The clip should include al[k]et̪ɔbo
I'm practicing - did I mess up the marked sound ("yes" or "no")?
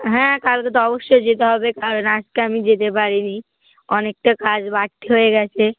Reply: no